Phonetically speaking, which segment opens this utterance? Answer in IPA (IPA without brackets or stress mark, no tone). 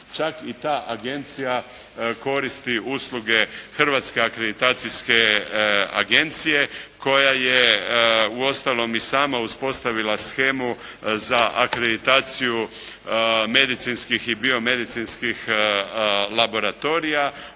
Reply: t͡ʃ